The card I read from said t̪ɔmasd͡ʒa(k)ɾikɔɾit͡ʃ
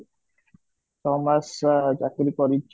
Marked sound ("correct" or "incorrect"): correct